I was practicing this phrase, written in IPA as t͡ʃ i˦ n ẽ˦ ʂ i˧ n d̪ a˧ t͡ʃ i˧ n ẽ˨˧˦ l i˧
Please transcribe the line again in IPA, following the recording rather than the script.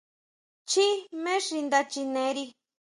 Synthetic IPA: t͡ʃ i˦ m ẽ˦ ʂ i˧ n d̪ a˧ t͡ʃ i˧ n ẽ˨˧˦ ɾ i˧